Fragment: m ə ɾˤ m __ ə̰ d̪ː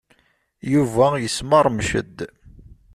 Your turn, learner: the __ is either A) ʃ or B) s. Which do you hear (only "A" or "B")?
A